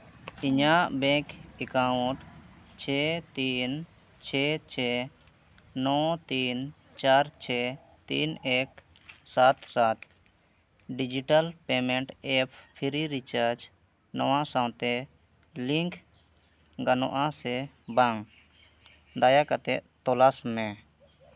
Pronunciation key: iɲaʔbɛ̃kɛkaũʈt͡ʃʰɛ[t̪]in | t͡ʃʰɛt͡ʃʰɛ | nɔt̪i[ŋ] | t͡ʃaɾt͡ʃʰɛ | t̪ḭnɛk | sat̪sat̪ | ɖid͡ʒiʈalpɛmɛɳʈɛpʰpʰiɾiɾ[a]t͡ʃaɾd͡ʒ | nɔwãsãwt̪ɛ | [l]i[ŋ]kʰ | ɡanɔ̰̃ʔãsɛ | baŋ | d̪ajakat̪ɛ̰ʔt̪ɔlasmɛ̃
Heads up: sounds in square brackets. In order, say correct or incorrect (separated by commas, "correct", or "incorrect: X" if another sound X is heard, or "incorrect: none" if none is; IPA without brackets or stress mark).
correct, incorrect: n, incorrect: i, correct, correct